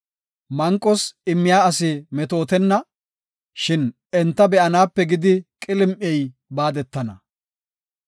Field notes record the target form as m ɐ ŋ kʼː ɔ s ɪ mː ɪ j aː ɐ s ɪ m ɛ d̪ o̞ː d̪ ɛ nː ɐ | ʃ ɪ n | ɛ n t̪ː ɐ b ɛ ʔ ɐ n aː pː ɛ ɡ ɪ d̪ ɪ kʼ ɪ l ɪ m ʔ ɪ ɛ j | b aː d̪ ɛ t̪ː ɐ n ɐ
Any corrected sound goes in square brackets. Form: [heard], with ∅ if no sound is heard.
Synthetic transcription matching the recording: m ɐ ŋ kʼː ɔ s ɪ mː ɪ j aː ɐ s ɪ m ɛ [t̪] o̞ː [t̪] ɛ nː ɐ | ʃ ɪ n | ɛ n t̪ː ɐ b ɛ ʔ ɐ n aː pː ɛ ɡ ɪ d̪ ɪ kʼ ɪ l ɪ m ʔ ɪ ɛ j | b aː d̪ ɛ t̪ː ɐ n ɐ